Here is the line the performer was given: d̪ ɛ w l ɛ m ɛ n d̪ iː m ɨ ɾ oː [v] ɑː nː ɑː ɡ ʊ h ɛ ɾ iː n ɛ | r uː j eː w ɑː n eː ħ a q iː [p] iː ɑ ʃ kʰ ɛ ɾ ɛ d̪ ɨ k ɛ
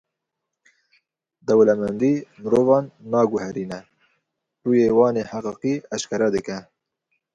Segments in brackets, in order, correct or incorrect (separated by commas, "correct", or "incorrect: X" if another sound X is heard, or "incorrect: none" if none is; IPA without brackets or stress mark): correct, incorrect: q